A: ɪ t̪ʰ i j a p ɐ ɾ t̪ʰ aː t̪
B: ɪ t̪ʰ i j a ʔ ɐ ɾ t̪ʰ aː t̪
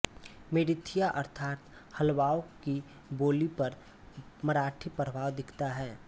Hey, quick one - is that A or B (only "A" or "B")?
B